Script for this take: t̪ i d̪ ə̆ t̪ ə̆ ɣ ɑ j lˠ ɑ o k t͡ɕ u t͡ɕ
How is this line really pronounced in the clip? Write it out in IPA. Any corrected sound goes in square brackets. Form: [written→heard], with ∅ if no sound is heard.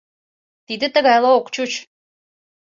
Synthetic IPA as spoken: t̪ i d̪ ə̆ t̪ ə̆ ɣ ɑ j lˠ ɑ o k t͡ɕ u t͡ɕ